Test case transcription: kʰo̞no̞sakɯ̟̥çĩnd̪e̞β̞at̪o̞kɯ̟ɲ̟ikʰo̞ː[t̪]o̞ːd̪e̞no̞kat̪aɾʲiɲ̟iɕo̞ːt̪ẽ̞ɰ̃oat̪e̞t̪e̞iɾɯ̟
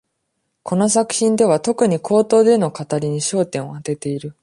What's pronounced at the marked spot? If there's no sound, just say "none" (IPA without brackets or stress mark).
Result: t̪